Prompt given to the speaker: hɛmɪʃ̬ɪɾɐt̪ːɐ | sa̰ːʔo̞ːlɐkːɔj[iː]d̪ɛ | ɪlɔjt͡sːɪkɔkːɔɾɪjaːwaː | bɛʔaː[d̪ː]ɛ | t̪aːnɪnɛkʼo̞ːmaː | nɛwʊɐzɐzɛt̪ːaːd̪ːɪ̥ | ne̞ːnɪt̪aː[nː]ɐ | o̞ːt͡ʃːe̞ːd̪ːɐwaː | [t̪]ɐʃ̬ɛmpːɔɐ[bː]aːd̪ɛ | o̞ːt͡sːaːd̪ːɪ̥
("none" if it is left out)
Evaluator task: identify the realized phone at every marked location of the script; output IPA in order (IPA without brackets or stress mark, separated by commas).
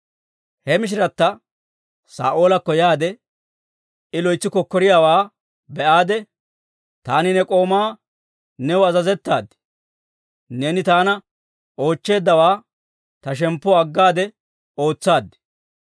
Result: aː, d̪, n, t̪, ɡː